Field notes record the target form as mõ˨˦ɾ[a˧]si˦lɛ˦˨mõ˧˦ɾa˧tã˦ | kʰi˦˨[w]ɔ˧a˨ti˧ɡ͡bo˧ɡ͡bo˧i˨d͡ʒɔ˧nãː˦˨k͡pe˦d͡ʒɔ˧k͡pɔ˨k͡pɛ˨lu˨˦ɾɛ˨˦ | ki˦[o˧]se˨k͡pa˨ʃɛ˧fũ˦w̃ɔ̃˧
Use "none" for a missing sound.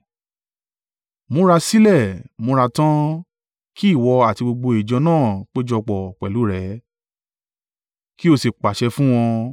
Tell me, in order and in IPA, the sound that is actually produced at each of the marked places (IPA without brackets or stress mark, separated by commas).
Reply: a˧, w, o˧